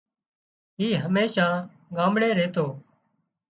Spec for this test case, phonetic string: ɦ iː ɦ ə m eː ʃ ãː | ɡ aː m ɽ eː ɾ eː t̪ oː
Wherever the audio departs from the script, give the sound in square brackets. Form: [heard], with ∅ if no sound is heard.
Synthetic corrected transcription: ɦ iː ɦ ə m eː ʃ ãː | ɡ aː m ɽ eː ɾ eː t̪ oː